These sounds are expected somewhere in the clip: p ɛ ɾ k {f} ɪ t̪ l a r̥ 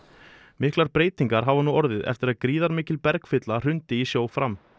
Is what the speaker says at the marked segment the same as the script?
yes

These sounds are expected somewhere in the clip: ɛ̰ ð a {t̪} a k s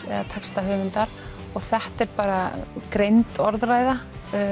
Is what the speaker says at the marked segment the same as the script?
no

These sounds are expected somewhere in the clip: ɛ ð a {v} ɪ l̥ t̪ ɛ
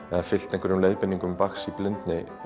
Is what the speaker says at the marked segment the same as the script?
no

